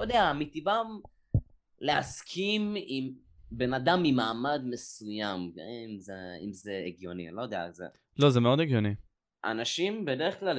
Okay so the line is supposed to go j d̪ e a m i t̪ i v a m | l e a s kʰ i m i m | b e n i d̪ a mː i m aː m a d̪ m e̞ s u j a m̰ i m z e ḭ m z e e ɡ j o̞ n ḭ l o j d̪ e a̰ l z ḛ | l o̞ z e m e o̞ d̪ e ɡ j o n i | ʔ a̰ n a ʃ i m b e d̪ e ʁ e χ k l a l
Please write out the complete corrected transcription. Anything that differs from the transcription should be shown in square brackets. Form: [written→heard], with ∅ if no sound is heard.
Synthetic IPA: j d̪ e a m i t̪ i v a m | l e a s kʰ i m i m | b e n [i→a] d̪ a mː i m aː m a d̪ m e̞ s u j a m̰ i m z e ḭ m z e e ɡ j o̞ n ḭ l o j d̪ e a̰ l z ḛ | l o̞ z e m e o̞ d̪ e ɡ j o n i | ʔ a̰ n a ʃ i m b e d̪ e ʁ e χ k l a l